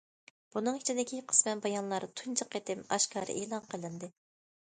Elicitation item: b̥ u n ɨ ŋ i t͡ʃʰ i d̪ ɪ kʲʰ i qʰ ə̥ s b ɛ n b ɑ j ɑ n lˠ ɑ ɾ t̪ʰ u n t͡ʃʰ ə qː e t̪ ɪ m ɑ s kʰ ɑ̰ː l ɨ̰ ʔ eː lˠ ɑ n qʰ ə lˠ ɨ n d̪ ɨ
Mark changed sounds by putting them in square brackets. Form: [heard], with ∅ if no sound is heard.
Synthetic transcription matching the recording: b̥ u n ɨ ŋ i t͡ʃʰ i d̪ ɪ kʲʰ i qʰ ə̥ s [m] ɛ n b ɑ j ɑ n lˠ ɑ ɾ t̪ʰ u n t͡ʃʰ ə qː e t̪ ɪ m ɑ [ʃ] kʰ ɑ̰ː [ɾ] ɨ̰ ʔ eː lˠ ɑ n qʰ ə lˠ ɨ n d̪ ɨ